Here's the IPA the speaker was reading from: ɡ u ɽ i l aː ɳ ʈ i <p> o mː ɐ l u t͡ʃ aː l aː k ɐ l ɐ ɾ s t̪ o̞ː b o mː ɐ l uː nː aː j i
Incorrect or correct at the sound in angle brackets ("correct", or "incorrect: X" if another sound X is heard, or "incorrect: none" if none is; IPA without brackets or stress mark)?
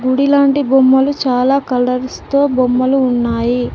incorrect: b